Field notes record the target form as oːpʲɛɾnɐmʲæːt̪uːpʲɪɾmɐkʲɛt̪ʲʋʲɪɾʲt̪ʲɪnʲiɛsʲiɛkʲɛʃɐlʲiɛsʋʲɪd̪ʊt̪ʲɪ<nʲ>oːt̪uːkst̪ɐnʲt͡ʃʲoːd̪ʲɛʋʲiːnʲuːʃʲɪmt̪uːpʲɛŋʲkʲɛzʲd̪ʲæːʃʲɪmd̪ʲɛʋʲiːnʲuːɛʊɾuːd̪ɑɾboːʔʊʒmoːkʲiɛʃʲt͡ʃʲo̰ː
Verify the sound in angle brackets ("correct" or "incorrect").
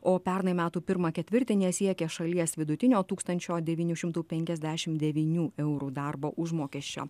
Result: correct